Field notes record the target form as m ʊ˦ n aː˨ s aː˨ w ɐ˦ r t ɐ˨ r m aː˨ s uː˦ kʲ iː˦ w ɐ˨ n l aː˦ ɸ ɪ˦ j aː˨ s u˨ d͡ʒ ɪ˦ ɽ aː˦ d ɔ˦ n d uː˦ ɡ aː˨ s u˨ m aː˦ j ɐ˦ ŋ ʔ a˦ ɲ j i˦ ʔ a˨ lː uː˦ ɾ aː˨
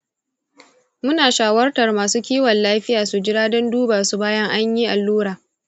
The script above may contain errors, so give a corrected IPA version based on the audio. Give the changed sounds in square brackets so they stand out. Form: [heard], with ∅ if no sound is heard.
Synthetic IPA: m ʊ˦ n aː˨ [ʃ] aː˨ w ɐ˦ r t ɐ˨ r m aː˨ s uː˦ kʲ iː˦ w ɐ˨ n l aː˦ ɸ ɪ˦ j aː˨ s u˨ d͡ʒ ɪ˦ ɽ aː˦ d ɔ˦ n d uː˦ [b] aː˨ s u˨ [b] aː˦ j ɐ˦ ŋ ʔ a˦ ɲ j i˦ ʔ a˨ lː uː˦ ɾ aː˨